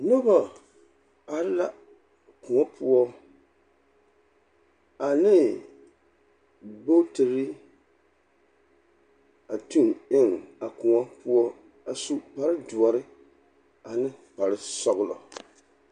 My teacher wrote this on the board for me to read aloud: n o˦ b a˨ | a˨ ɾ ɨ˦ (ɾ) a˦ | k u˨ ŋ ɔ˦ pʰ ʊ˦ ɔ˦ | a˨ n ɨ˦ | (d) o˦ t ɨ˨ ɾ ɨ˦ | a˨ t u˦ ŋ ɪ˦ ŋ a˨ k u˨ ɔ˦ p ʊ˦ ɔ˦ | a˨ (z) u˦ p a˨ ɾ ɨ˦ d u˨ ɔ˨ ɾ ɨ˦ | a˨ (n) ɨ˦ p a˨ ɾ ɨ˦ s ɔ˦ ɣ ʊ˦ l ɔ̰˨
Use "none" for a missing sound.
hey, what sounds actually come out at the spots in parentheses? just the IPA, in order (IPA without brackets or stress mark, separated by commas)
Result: l, b, s, n